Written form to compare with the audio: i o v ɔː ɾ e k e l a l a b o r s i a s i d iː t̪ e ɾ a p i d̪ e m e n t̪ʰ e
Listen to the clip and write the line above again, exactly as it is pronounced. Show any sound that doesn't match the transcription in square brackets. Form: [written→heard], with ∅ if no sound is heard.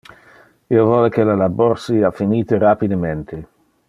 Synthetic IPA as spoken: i o v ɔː [ɾ→l] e k e l a l a b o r s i a [s→f] i [d→n] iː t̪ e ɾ a p i d̪ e m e n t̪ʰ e